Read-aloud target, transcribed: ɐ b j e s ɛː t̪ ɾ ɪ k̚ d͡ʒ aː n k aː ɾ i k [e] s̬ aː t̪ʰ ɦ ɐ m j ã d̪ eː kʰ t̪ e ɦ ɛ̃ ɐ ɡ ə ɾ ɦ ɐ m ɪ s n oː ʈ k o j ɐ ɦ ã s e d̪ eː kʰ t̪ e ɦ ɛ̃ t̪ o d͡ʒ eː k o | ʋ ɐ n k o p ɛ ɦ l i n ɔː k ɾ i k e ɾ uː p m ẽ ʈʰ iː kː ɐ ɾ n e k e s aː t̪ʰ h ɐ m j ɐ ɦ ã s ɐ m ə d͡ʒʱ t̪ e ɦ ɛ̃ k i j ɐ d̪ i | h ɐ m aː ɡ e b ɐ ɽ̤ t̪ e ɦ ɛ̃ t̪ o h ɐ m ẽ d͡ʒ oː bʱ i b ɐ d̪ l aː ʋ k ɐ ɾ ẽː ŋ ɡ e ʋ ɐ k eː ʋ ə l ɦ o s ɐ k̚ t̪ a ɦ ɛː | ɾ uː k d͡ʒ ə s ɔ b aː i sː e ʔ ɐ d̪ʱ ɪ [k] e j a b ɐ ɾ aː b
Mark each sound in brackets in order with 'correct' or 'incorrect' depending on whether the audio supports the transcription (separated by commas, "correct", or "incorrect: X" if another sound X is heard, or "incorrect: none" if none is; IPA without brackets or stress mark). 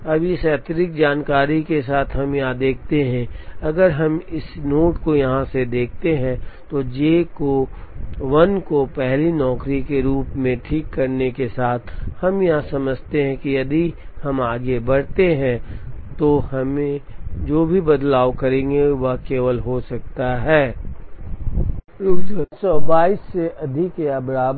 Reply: correct, correct